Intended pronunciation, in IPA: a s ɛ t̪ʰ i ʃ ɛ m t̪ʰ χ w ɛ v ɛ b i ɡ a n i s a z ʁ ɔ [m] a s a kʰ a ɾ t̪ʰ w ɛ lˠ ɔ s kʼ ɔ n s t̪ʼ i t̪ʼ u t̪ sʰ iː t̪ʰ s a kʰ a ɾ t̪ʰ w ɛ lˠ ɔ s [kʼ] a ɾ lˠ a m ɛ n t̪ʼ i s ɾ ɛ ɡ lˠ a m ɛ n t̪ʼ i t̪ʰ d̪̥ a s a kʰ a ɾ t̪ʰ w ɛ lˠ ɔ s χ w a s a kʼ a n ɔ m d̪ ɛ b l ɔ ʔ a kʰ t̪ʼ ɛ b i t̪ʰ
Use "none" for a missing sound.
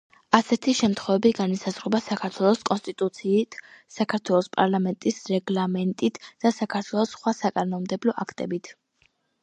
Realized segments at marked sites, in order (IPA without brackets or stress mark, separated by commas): b, pʼ